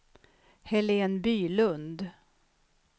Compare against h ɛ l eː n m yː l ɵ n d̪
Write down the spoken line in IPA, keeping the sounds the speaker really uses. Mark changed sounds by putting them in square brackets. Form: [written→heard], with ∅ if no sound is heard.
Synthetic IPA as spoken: h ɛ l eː n [m→b] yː l ɵ n d̪